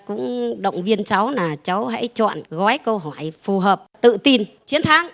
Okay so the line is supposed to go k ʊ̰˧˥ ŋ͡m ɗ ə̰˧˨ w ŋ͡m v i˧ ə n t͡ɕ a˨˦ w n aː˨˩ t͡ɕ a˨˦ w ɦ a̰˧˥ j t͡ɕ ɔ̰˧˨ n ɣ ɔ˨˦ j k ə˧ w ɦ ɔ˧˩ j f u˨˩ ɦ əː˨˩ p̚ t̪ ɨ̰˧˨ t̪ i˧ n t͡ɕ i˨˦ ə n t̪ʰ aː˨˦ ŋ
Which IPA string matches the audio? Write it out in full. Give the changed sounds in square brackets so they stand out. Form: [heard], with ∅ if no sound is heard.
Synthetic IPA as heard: k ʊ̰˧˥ ŋ͡m ɗ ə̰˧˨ w ŋ͡m v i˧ ə n t͡ɕ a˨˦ w n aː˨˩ t͡ɕ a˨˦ w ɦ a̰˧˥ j t͡ɕ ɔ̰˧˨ n ɣ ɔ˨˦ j k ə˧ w ɦ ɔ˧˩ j f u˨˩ ɦ əː˨˩ p̚ t̪ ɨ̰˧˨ t̪ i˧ n t͡ɕ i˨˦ ə n t̪ʰ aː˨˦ ŋ